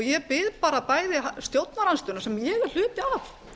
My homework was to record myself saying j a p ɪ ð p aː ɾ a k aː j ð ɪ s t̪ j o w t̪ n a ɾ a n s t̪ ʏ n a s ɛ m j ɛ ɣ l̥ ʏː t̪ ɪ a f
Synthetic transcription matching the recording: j ɛ p ɪ ð p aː ɾ a p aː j ð ɪ s t̪ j o w t̪ n a ɾ a n s t̪ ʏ n a s ɛ m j ɛ ɣ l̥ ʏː t̪ ɪ a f